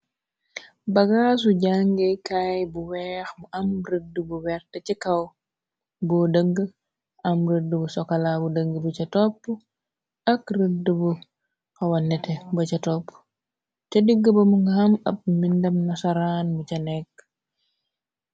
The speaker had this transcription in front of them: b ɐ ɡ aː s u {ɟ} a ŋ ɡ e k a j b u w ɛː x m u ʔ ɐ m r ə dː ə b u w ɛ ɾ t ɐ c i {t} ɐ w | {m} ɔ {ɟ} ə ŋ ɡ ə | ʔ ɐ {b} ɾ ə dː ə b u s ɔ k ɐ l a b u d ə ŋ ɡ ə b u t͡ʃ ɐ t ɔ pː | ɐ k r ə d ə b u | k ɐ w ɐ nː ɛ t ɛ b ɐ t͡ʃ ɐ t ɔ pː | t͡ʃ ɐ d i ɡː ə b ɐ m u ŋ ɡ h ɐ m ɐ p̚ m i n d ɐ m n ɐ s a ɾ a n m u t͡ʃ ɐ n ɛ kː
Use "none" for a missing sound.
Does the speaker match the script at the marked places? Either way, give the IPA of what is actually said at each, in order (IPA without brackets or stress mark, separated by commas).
ɟ, k, b, d, m